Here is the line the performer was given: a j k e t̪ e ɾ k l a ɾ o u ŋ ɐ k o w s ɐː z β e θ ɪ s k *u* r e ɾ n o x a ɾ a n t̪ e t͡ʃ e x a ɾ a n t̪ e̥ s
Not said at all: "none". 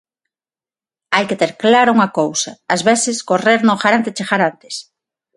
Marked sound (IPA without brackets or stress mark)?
o